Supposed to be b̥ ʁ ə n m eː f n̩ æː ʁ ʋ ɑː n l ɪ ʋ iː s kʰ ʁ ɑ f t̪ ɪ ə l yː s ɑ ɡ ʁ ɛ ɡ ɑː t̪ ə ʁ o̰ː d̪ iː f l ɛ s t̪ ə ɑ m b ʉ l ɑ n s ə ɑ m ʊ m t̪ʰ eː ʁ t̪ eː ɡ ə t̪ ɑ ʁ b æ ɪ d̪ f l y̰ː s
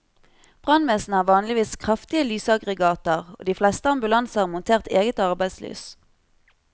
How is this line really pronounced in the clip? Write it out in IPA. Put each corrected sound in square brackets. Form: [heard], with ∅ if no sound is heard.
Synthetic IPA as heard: b̥ ʁ [ɑ] n m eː [s] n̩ æː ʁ ʋ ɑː n l ɪ ʋ iː s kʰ ʁ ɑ f t̪ ɪ ə l yː s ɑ ɡ ʁ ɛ ɡ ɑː t̪ ə ʁ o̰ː d̪ iː f l ɛ s t̪ ə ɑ m b ʉ l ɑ n s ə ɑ m ʊ [n] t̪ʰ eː ʁ t̪ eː ɡ ə t̪ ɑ ʁ b æ ɪ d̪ [s] l y̰ː s